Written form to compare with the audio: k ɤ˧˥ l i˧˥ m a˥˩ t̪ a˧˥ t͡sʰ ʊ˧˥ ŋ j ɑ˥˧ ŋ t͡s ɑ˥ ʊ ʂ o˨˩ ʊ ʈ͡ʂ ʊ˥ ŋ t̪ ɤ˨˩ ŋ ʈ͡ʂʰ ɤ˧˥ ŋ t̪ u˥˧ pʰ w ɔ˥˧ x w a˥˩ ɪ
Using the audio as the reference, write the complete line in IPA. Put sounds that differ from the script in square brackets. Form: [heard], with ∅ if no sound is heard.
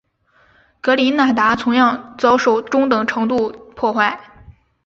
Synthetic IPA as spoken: k ɤ˧˥ l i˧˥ [n] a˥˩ t̪ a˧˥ t͡sʰ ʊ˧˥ ŋ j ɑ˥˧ ŋ t͡s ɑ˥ ʊ ʂ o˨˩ ʊ ʈ͡ʂ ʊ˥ ŋ t̪ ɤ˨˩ ŋ ʈ͡ʂʰ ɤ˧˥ ŋ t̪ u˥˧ pʰ w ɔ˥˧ x w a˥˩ ɪ